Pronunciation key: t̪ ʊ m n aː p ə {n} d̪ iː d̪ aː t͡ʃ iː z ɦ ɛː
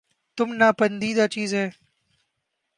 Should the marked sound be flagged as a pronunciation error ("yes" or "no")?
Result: no